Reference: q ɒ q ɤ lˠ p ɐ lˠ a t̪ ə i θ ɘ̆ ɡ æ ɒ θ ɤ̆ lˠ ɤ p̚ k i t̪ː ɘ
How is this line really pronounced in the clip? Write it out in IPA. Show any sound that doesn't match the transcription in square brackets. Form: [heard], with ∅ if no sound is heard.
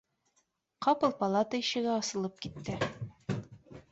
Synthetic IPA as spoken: q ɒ [p] ɤ lˠ p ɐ lˠ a t̪ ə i [ɕ] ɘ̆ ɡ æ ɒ [s] ɤ̆ lˠ ɤ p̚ k i t̪ː ɘ